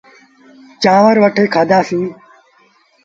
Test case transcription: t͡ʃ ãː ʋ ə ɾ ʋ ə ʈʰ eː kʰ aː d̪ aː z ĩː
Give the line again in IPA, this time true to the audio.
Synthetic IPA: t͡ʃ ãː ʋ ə ɾ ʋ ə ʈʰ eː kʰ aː d̪ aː s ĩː

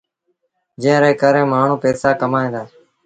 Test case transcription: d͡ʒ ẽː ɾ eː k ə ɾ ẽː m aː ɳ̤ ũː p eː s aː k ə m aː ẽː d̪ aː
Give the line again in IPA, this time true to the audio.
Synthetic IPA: d͡ʒ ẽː ɾ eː k ə ɾ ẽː m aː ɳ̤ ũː p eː s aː k ə m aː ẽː d̪ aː

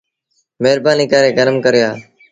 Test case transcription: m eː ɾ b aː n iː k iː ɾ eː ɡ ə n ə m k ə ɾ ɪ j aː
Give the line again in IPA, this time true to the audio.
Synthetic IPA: m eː ɾ b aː n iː k aː ɾ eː ɡ ə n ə m k ə ɾ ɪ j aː

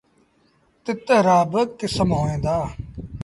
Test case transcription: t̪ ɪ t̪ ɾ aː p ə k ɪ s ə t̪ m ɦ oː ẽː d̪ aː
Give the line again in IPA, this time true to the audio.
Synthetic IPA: t̪ ɪ t̪ ɾ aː b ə k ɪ s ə m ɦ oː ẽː d̪ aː

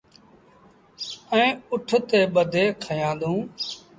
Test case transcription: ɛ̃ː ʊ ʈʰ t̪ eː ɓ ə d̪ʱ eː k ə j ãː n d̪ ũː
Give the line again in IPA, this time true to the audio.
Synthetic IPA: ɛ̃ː ʊ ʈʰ t̪ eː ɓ ə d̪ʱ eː kʰ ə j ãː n d̪ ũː

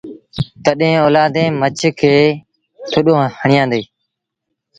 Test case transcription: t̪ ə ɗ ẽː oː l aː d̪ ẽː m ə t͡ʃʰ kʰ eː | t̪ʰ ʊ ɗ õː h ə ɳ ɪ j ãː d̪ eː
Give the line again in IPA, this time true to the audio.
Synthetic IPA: t̪ ə ɗ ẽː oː l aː d̪ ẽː m ə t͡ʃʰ kʰ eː | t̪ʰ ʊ ɗ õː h ə ɳ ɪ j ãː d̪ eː

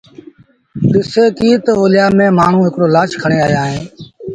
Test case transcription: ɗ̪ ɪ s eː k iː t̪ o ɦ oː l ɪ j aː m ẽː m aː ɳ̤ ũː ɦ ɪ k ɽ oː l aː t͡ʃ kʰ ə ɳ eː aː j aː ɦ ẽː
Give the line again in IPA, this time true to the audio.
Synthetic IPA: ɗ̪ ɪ s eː k iː t̪ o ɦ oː l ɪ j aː m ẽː m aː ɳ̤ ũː ɦ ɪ k ɽ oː l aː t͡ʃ kʰ ə ɳ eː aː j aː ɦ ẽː

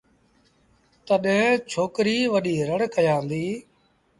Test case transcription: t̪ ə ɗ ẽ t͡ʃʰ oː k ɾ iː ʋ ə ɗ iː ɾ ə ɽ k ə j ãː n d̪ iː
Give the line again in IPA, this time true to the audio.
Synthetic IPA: t̪ ə ɗ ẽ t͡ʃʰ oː k ɾ iː ʋ ə ɗ iː ɾ ə ɽ k ə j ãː n d̪ iː

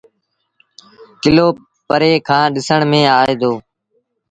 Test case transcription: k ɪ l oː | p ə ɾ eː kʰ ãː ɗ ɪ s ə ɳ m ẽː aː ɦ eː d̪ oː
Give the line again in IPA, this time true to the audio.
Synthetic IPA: k ɪ l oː | p ə ɾ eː kʰ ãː ɗ ɪ s ə ɳ m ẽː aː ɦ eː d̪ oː

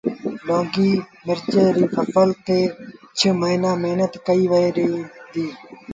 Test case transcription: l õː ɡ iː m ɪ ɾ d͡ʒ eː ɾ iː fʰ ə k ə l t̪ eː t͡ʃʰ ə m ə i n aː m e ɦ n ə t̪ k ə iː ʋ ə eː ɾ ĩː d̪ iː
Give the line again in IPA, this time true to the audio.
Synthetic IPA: l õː ɡ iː m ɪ ɾ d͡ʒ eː ɾ iː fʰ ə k ə l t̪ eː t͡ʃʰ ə m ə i n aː m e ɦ n ə t̪ k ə iː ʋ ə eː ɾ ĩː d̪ iː

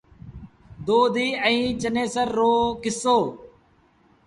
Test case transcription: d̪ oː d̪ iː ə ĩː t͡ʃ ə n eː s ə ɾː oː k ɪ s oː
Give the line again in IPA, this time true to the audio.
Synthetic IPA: d̪ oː d̪ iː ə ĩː t͡ʃ ə n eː s ə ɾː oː k ɪ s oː

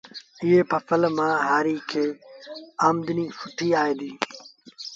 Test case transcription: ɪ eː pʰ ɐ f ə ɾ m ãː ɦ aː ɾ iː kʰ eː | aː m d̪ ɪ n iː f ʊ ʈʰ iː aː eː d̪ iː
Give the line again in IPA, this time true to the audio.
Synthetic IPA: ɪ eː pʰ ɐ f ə l m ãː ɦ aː ɾ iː kʰ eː | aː m d̪ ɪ n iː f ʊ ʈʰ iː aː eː d̪ iː

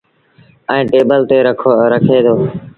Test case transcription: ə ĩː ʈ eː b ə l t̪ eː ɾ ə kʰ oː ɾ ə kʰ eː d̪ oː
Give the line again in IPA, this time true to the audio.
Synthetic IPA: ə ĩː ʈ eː b ə l t̪ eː ɾ ə kʰ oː ɾ ə kʰ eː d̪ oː

